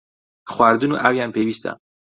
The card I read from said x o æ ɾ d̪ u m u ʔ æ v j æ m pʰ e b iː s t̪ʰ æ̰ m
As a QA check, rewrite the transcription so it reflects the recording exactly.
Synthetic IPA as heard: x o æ ɾ d̪ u n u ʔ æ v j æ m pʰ e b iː s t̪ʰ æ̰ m

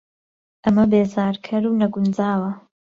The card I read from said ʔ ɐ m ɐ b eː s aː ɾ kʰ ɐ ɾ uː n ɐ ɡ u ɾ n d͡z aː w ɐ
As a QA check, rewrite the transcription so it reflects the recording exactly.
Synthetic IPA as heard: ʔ ɐ m ɐ b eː z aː ɾ kʰ ɐ ɾ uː n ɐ ɡ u n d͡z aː w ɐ

